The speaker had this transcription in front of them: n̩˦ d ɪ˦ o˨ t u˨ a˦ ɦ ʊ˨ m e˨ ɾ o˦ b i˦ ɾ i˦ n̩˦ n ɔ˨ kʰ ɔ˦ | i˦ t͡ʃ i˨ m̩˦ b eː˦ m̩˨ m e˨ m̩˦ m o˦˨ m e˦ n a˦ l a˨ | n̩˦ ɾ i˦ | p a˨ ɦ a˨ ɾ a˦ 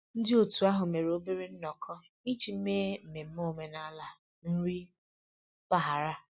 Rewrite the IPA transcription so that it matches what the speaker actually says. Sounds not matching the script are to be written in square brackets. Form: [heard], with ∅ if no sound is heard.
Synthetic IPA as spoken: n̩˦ d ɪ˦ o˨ t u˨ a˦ ɦ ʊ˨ m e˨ ɾ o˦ b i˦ ɾ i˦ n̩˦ n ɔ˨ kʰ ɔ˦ | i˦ t͡ʃ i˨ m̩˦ [m] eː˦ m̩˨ m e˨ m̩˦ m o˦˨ m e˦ n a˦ l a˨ | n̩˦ ɾ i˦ | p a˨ ɦ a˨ ɾ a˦

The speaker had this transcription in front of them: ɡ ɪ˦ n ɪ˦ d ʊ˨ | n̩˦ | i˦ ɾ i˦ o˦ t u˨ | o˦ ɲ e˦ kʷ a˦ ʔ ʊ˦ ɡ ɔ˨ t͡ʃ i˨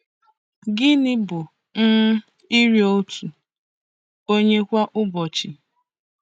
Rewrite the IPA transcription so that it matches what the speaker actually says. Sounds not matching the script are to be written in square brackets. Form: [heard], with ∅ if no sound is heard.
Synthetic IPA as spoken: ɡ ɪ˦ n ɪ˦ [b] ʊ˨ | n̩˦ | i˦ ɾ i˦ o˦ t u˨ | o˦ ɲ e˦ kʷ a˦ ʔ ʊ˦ [b] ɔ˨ t͡ʃ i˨

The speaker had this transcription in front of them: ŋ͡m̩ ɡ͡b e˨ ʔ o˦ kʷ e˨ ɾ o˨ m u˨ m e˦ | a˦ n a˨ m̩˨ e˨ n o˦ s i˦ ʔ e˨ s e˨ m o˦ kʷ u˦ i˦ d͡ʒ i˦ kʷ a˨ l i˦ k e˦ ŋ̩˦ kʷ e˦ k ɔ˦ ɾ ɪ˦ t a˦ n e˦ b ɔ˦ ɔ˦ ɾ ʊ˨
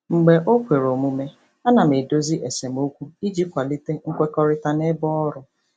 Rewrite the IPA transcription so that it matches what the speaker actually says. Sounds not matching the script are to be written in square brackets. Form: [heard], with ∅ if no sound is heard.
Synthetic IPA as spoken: ŋ͡m̩ ɡ͡b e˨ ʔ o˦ kʷ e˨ ɾ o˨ m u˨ m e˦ | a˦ n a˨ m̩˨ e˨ [d] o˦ [z] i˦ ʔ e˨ s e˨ m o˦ kʷ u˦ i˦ d͡ʒ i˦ kʷ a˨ l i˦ [t] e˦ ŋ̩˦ kʷ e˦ k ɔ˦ ɾ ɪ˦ t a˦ n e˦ b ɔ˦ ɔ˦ ɾ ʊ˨

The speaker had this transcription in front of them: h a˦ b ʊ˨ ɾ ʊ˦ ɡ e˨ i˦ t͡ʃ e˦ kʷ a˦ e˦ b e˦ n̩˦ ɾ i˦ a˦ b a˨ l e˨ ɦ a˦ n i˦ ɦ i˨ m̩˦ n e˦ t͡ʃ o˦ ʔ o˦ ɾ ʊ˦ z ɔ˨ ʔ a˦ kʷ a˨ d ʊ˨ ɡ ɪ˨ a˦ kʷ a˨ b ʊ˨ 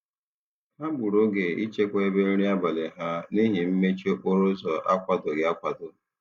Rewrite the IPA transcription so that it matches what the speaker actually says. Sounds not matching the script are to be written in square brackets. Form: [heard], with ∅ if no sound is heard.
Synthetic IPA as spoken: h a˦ b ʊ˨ ɾ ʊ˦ ɡ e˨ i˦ t͡ʃ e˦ kʷ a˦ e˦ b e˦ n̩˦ ɾ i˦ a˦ b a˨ l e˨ ɦ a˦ n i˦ ɦ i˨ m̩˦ [m] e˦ t͡ʃ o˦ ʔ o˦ ɾ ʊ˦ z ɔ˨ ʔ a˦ kʷ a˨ d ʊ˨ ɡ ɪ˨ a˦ kʷ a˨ [d] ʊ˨

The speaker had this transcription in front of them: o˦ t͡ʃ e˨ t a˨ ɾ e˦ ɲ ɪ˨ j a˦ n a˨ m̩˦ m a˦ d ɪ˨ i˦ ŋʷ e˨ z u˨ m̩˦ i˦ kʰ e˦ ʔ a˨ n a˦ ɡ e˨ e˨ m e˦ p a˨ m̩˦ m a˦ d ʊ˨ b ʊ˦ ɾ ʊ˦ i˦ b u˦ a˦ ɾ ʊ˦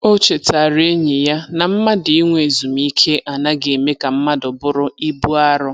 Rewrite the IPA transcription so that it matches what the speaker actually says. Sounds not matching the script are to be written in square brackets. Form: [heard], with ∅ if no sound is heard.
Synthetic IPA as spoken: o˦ t͡ʃ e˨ t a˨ ɾ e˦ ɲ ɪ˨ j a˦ n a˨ m̩˦ m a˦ d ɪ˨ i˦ ŋʷ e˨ z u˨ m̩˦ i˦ kʰ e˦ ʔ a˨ n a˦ ɡ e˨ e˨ m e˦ [k] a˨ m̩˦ m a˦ d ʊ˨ b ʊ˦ ɾ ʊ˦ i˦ b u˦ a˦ ɾ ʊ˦

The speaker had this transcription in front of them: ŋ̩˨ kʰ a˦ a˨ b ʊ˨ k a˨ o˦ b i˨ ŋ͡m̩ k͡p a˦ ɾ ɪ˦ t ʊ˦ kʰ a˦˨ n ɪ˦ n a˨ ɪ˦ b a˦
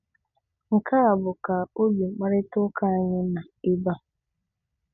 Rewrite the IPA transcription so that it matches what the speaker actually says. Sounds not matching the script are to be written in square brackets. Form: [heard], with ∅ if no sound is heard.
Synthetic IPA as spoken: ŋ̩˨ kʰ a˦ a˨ b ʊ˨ k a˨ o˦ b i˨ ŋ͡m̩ k͡p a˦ ɾ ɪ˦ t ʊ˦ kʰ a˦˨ [ɲ] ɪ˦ n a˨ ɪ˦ b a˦

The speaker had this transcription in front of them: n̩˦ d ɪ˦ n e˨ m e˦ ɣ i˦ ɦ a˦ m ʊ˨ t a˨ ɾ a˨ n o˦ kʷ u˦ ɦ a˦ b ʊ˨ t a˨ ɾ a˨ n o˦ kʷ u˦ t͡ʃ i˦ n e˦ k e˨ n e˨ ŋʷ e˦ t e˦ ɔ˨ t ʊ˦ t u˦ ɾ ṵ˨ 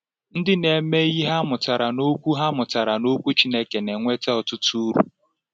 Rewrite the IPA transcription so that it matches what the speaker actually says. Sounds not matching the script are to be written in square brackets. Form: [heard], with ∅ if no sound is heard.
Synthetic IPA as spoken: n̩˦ d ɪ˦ n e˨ m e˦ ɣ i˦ ɦ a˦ m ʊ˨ t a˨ ɾ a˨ n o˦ kʷ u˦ ɦ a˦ [m] ʊ˨ t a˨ ɾ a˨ n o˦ kʷ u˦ t͡ʃ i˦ n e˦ k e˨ n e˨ ŋʷ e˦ t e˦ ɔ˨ t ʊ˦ t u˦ ɾ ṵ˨

